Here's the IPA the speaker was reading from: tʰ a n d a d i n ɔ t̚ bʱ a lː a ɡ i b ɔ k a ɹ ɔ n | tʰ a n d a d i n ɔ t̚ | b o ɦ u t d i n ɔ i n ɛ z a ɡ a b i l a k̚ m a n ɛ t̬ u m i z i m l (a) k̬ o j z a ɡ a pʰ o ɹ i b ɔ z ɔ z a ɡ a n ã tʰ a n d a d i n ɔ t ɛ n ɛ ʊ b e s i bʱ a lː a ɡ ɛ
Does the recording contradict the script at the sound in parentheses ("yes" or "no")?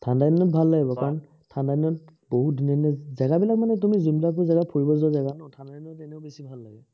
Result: no